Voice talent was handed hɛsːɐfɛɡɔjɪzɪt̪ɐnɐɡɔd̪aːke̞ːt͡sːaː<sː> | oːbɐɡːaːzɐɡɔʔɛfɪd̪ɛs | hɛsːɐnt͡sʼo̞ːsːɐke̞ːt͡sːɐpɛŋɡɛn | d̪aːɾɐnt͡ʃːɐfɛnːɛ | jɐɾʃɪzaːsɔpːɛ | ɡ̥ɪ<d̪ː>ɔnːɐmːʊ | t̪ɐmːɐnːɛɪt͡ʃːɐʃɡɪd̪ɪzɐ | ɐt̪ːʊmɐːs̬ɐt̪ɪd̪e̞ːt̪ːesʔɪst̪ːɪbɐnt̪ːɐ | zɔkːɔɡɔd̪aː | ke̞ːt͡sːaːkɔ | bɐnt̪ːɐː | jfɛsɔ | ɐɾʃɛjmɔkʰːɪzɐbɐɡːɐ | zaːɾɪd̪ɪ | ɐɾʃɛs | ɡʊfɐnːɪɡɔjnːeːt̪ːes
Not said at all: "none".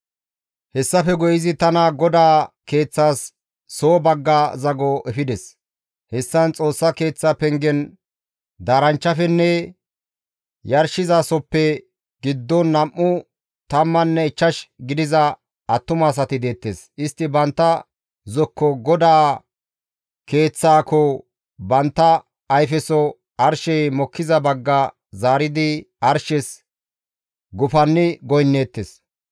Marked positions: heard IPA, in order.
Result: sː, d̪ː

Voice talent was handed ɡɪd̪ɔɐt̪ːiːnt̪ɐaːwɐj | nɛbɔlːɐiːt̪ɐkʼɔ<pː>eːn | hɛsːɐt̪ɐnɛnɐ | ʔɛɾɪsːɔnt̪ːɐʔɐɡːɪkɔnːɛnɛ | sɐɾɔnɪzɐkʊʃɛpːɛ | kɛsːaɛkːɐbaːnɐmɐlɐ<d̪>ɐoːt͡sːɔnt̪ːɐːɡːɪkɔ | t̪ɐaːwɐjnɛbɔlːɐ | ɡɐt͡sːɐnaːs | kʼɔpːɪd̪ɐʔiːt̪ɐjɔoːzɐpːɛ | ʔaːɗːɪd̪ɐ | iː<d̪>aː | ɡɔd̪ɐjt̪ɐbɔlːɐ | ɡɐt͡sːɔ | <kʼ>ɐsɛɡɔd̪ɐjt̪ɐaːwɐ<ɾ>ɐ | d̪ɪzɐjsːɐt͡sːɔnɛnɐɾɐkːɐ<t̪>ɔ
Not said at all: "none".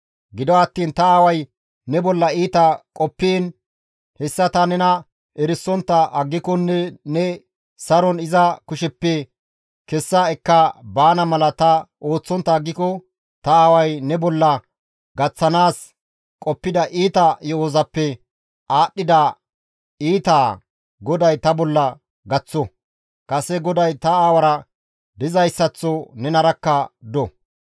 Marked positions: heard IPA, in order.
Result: pː, t̪, t̪, kʼ, ɾ, d̪

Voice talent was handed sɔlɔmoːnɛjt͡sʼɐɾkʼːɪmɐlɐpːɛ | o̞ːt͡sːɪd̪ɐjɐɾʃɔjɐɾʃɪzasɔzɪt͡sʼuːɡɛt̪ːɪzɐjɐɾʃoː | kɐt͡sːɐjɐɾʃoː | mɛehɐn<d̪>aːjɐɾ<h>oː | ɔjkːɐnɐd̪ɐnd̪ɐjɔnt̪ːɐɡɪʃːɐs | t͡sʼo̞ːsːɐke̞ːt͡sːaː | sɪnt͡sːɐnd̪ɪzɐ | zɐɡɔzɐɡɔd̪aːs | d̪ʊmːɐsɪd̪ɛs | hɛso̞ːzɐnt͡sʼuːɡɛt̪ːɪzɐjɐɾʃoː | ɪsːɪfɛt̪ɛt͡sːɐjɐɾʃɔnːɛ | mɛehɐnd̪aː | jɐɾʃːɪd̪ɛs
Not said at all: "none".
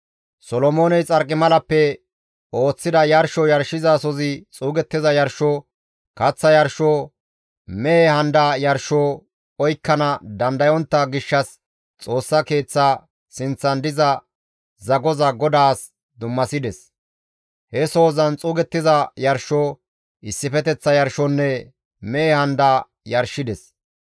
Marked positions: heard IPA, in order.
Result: d̪, ʃ

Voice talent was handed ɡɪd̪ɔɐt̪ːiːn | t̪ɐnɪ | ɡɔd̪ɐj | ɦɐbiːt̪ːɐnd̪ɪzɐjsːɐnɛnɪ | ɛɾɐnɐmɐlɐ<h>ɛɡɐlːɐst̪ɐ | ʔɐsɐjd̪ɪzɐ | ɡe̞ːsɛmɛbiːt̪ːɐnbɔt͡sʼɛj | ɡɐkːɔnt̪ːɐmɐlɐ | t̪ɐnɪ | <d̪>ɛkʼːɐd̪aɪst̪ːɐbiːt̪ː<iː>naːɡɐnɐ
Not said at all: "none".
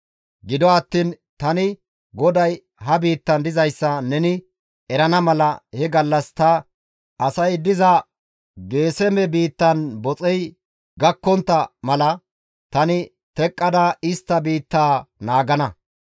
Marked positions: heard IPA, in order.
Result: h, t̪, aː

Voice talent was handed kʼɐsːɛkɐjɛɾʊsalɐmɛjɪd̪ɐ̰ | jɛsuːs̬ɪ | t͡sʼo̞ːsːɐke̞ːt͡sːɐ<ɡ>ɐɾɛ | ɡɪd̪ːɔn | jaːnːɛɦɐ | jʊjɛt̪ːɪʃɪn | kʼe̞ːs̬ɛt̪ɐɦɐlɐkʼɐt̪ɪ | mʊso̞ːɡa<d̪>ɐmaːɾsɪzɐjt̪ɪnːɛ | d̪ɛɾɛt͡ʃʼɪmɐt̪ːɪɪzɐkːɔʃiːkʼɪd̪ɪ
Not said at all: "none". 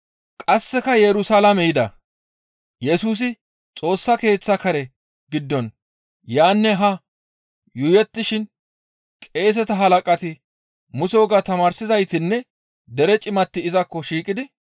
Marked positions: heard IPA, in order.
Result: k, t̪

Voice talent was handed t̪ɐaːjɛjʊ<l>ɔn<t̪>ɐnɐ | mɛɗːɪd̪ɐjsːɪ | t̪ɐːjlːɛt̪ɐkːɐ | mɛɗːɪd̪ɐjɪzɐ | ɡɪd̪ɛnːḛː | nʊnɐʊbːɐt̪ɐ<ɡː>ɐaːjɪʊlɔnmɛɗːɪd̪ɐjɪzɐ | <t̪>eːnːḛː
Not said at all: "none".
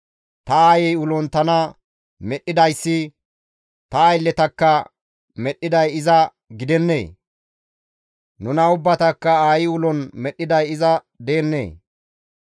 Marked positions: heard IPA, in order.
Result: l, t̪, kː, d̪

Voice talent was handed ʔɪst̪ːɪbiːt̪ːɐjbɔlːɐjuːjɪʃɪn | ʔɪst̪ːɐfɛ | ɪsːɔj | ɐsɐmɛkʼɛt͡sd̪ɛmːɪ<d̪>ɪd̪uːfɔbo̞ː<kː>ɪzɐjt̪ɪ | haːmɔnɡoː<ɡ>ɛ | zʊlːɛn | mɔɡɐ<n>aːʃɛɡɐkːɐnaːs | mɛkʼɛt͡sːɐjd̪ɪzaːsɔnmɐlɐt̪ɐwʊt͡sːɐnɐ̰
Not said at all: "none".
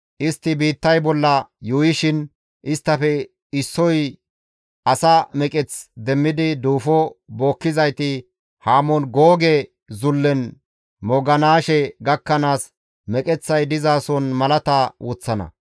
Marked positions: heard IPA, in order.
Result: d̪, kː, ɡ, n

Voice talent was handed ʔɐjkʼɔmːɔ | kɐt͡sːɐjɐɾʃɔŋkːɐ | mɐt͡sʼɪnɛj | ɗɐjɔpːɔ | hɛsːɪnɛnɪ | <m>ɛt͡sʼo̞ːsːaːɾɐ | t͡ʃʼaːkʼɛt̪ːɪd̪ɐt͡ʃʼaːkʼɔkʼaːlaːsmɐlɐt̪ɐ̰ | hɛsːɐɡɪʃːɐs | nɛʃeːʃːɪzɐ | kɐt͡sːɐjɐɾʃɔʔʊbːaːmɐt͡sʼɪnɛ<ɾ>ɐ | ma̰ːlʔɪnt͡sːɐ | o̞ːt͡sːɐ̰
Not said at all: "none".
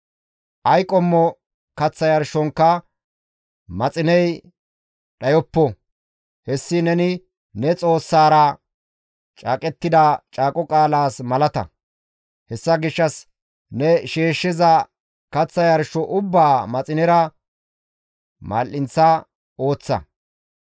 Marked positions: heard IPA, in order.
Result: n, ɾ

